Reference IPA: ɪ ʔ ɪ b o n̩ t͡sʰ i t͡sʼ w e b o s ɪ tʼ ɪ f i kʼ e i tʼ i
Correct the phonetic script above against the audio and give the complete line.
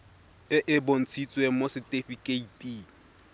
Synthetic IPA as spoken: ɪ ʔ ɪ b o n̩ t͡sʰ i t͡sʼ w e m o s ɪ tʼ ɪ f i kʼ e i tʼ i